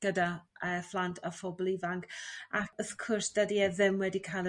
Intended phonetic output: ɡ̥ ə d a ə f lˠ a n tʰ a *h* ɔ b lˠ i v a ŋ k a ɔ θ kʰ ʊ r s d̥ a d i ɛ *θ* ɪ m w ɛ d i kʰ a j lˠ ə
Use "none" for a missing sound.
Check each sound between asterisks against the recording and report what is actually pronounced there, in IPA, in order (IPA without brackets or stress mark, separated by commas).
f, ð